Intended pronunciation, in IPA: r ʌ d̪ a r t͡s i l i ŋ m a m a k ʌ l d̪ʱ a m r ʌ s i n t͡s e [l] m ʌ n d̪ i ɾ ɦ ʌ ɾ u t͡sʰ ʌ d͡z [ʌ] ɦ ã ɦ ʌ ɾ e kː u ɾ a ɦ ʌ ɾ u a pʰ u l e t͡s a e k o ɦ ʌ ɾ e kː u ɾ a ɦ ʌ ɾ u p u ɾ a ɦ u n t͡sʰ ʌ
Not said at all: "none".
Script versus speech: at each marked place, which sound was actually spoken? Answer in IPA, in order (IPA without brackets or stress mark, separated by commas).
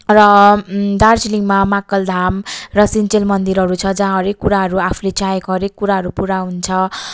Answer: l, a